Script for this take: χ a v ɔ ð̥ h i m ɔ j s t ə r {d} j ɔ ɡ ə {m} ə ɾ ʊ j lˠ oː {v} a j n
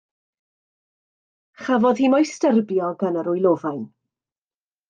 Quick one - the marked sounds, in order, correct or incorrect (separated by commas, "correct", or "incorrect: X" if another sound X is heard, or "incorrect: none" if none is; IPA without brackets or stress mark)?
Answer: incorrect: b, incorrect: n, correct